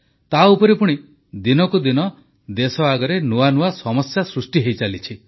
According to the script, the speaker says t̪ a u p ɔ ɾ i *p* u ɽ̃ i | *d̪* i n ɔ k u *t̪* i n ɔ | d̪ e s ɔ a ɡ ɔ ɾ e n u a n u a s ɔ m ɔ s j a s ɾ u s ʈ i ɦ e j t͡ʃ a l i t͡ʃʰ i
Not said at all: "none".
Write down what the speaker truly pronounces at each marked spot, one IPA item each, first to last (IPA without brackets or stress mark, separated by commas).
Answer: p, d̪, d̪